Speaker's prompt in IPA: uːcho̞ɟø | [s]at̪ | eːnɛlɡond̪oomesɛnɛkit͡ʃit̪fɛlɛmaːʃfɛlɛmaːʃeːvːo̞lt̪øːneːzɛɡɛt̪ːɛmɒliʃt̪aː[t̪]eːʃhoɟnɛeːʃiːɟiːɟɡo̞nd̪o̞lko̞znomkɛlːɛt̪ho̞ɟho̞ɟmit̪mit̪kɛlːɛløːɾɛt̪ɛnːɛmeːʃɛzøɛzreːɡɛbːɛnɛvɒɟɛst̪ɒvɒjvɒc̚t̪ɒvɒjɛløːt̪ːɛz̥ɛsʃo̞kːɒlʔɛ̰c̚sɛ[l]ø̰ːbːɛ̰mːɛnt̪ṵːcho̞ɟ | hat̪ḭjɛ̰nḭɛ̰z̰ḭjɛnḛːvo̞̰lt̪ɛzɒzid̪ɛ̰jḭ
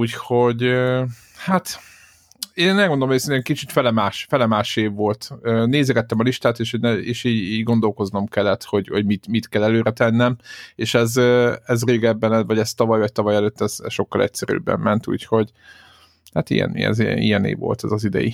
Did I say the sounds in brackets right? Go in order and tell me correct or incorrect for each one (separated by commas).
incorrect, correct, incorrect